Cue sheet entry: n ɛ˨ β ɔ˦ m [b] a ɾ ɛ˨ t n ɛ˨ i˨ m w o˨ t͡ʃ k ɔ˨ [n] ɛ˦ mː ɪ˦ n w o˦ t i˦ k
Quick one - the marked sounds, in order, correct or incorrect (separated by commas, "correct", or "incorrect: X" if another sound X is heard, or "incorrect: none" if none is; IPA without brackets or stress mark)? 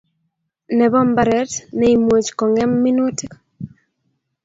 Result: correct, incorrect: ŋ